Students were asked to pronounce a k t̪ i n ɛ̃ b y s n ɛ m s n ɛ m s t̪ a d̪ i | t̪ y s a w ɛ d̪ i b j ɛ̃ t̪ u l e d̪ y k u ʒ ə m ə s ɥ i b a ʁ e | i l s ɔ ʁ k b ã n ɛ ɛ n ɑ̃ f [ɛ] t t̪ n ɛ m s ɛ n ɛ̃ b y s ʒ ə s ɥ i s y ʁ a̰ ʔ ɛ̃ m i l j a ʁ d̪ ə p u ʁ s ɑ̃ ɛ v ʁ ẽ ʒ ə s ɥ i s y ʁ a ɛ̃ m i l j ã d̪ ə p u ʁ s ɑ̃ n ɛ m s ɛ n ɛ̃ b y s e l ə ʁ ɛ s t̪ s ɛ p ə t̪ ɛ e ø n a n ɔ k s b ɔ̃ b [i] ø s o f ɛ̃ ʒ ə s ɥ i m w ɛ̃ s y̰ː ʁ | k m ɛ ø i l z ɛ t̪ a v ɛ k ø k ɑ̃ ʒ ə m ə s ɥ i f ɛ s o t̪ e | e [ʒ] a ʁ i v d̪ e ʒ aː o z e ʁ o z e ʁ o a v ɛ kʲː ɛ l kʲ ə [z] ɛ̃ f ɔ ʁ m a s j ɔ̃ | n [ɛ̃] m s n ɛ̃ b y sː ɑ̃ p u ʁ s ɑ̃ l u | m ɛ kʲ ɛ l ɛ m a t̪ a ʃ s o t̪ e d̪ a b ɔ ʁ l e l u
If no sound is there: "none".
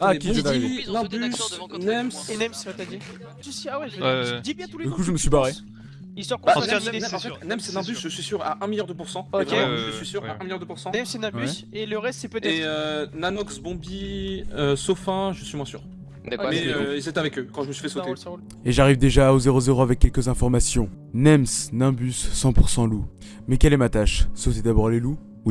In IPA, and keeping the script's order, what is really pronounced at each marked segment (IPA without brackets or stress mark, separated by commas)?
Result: ɛ, i, ʒ, z, ɛ